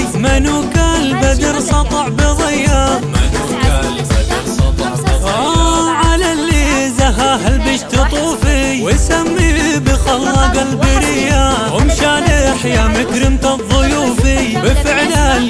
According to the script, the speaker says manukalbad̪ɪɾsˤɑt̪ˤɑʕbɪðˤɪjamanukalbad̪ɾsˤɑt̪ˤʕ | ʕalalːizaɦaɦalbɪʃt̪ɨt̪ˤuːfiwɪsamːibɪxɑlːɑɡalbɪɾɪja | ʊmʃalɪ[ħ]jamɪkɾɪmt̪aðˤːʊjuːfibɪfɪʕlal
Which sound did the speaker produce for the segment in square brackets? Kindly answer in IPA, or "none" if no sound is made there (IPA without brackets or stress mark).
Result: ħ